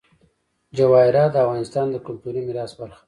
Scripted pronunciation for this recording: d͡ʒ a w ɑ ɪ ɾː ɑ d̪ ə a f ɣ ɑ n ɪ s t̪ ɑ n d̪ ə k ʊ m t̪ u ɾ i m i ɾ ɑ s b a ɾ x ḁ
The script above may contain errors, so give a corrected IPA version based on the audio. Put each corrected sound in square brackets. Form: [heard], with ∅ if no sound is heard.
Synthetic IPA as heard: d͡ʒ a w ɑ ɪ [ɾ] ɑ d̪ ə a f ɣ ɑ n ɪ s t̪ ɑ n d̪ ə k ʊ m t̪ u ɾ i m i ɾ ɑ s b a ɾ x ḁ